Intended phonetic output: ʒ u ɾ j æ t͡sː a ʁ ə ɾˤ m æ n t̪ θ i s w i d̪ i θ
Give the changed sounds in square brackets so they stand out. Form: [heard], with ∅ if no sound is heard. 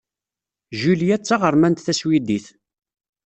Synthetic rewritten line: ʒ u [l] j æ t͡sː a ʁ ə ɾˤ m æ n t̪ θ [æ] s w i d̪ i θ